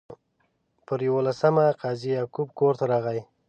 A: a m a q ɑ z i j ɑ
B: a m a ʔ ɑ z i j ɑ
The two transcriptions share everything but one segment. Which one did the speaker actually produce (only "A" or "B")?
A